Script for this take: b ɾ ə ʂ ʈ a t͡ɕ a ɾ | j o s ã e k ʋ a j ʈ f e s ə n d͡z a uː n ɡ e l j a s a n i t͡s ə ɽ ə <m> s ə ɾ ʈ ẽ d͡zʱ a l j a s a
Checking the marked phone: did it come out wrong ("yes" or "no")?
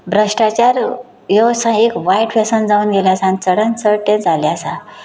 yes